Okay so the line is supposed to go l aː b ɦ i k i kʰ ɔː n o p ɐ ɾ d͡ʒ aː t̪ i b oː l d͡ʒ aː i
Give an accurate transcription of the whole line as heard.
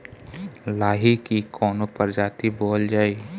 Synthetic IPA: l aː ɦ i k i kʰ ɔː n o p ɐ ɾ d͡ʒ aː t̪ i b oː l d͡ʒ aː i